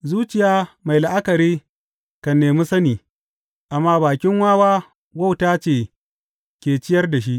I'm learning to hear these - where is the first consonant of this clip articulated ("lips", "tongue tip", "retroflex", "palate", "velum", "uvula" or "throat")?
tongue tip